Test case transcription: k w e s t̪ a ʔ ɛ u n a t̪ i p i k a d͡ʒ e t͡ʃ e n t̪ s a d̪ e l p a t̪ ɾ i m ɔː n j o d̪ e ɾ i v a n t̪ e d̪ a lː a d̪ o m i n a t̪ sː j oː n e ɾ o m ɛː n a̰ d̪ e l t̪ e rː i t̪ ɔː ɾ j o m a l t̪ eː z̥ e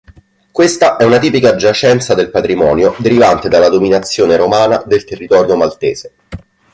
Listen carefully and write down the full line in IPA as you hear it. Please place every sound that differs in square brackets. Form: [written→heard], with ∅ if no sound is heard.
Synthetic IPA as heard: k w e s t̪ a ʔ ɛ u n a t̪ [i→iː] p i k a d͡ʒ [e→a] t͡ʃ [e→ɛ] n t̪ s a d̪ e l p a t̪ ɾ i m ɔː n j o d̪ e ɾ i v a n t̪ e d̪ a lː a d̪ o m i n a t̪ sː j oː n e ɾ o m [ɛː→aː] n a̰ d̪ e l t̪ e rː i t̪ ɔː ɾ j o m a l t̪ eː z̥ e